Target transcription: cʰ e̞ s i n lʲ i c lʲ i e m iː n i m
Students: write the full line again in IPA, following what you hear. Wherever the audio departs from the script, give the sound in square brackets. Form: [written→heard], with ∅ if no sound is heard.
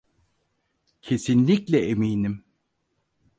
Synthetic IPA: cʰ e̞ s i n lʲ i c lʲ [i→ɛ] e m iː n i m